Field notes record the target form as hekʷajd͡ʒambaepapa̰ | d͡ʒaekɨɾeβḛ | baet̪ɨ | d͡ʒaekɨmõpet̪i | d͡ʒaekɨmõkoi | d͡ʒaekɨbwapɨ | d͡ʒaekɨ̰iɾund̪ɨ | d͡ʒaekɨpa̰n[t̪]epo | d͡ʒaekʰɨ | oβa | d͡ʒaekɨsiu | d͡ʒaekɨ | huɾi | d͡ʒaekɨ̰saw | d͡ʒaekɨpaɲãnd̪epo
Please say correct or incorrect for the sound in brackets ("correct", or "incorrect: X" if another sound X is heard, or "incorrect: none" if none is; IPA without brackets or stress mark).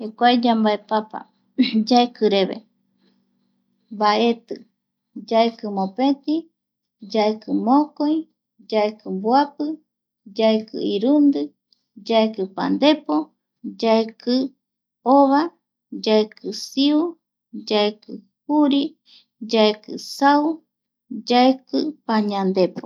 incorrect: d̪